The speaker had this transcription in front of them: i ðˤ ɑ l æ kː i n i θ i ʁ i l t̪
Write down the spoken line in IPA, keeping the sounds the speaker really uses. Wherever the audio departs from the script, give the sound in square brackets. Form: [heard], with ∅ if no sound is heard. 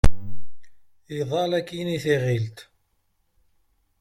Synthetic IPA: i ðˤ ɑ l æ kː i n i θ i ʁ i l t̪